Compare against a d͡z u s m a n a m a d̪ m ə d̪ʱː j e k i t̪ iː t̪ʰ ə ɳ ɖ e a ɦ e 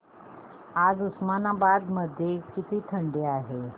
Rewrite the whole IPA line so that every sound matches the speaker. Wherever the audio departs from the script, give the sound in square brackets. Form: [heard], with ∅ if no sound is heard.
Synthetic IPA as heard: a d͡z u s m a n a [b] a d̪ m ə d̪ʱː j e k i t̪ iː t̪ʰ ə ɳ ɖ e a ɦ e